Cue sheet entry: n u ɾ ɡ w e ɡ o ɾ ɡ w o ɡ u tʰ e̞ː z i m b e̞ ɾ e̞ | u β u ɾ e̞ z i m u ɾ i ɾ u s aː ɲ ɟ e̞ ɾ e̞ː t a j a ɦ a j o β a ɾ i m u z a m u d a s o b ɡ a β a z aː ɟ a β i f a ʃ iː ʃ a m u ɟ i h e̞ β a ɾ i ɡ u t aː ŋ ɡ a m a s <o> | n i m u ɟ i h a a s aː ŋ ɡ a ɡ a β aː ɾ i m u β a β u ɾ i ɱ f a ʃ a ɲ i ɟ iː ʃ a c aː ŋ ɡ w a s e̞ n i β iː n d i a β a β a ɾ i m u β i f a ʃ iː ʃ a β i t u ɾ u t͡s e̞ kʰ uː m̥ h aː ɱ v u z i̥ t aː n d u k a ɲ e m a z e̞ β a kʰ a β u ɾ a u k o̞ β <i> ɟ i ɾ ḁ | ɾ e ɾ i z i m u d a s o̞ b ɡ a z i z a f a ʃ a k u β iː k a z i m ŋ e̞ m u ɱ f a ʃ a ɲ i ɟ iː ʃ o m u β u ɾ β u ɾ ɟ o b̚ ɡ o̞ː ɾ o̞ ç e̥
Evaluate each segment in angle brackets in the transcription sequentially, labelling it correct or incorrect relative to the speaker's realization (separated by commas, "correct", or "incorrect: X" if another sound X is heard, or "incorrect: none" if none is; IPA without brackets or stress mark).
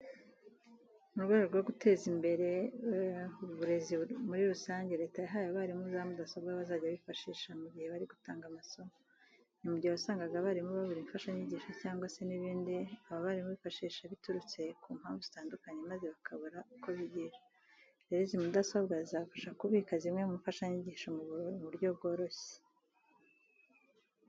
correct, correct